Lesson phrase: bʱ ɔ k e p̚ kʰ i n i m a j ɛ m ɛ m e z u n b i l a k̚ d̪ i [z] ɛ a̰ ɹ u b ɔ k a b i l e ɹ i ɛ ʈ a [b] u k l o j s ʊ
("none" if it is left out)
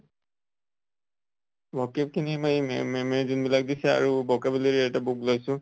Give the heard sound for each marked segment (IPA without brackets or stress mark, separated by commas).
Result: s, b